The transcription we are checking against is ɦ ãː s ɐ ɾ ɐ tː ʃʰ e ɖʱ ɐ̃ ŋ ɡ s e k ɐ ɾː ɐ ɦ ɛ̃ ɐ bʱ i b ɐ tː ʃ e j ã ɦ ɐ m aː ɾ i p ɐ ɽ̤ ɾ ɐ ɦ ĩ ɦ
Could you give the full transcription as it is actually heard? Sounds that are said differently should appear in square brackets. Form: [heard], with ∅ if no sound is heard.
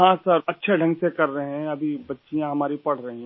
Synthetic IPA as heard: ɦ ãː s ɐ ɾ ɐ tː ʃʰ e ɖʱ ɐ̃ ŋ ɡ s e k ɐ ɾː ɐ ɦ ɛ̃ ɐ bʱ i b ɐ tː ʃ [i] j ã ɦ ɐ m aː ɾ i p ɐ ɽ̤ ɾ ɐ ɦ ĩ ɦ